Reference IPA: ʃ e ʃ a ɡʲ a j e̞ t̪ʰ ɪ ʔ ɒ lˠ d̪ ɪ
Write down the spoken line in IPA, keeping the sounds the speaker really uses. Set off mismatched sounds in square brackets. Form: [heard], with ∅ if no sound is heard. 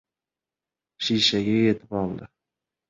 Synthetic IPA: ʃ [i] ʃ a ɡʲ a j e̞ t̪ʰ ɪ [p] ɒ lˠ d̪ ɪ